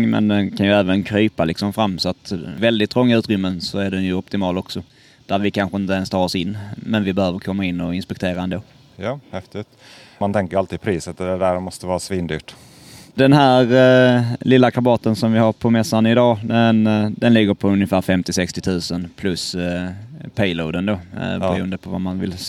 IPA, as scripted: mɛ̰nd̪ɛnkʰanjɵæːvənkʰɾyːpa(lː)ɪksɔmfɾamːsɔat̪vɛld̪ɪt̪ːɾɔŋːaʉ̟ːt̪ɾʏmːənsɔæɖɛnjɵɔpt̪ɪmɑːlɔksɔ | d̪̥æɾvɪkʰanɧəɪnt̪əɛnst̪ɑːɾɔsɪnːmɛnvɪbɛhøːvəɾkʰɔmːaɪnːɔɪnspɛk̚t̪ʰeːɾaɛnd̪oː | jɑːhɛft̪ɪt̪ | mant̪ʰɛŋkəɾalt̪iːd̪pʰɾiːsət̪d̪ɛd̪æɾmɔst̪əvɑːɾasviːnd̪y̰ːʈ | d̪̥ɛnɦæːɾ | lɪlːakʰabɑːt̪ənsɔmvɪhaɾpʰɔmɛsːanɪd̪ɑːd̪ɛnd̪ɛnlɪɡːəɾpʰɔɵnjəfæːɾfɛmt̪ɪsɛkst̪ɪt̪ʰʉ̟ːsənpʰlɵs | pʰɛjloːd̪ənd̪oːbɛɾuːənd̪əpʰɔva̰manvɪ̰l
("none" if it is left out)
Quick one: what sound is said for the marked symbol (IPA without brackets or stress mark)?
l